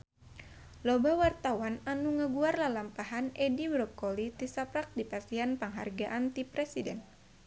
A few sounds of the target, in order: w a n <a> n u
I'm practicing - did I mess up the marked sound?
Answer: no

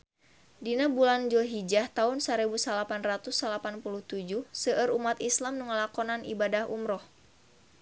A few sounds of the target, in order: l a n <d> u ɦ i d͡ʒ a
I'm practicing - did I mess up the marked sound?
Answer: yes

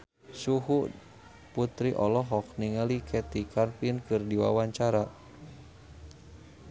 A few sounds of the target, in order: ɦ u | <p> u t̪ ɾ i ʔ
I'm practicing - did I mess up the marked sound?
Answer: no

